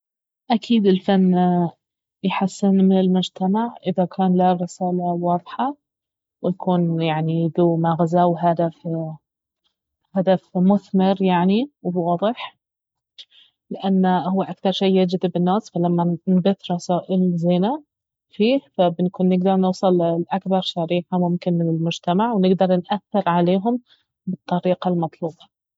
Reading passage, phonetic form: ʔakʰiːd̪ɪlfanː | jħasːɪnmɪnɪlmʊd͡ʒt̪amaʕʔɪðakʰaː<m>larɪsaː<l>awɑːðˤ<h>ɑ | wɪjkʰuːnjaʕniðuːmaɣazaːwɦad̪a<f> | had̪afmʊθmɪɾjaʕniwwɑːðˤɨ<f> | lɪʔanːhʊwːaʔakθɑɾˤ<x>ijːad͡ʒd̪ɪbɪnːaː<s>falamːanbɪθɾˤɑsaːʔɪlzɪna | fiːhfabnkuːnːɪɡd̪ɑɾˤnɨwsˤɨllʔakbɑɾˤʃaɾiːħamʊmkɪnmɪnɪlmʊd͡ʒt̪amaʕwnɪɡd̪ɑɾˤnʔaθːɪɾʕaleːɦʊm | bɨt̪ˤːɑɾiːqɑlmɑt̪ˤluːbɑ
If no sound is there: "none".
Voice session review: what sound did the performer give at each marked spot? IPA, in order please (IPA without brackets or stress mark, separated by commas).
n, l, ħ, f, ħ, ʃ, s